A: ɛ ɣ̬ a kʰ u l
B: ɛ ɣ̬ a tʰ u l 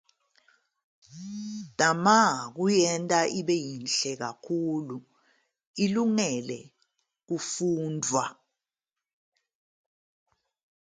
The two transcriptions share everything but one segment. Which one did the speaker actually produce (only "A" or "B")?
A